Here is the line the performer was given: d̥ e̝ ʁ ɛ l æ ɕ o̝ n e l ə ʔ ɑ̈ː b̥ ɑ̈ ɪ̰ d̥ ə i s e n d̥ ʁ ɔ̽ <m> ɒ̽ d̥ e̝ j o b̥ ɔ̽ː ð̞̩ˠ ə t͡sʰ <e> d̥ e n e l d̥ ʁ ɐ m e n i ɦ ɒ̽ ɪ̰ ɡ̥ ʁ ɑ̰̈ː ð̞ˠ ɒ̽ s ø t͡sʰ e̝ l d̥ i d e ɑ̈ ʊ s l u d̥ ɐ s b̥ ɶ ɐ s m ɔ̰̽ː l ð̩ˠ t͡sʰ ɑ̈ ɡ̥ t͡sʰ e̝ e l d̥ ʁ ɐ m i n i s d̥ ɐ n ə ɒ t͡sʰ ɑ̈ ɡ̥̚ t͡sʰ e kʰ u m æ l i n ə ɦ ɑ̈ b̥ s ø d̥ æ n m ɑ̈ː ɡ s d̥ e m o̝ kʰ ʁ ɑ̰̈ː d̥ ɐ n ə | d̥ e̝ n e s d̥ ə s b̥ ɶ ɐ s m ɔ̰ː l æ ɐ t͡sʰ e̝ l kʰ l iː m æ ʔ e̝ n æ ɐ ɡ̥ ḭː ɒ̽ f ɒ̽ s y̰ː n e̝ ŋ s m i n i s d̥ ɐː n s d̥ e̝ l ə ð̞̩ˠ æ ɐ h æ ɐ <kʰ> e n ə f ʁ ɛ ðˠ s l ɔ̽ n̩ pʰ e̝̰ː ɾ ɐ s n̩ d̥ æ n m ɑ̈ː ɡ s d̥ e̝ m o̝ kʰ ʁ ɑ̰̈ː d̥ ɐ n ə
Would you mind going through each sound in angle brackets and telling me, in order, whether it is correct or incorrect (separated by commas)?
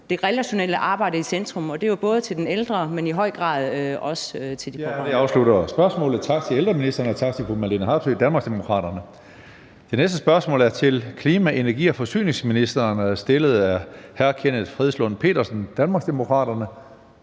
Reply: correct, correct, correct